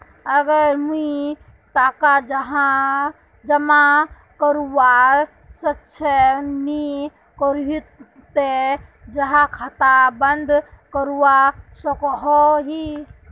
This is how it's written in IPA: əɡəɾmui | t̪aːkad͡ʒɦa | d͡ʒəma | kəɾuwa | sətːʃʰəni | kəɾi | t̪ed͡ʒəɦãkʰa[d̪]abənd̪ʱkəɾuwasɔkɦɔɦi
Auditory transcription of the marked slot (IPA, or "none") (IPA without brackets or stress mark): t̪